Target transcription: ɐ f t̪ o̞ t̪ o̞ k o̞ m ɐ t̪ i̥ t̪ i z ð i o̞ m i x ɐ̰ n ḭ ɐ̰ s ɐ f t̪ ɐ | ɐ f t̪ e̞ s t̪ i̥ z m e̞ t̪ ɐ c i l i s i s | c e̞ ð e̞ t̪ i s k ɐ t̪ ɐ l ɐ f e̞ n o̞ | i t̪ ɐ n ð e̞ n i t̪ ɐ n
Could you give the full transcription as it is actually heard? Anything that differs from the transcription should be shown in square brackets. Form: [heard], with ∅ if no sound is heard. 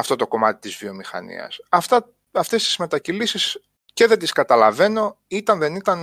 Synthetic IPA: ɐ f t̪ o̞ t̪ o̞ k o̞ m ɐ t̪ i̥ t̪ i z [v] i o̞ m i x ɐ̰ n ḭ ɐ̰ s ɐ f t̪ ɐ | ɐ f t̪ e̞ s t̪ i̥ z m e̞ t̪ ɐ c i l i s i s | c e̞ ð e̞ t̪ i s k ɐ t̪ ɐ l ɐ [v] e̞ n o̞ | i t̪ ɐ n ð e̞ n i t̪ ɐ n